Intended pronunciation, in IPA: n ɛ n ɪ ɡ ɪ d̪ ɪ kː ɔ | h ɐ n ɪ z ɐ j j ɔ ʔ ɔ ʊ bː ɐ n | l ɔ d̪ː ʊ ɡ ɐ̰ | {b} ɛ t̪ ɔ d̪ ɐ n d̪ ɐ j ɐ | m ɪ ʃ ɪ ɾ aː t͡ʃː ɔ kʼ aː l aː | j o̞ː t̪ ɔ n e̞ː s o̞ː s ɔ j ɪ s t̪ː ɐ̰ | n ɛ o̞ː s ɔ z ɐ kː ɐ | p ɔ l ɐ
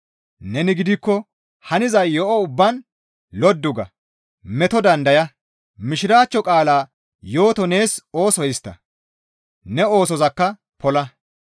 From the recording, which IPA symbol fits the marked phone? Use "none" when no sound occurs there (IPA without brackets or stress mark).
m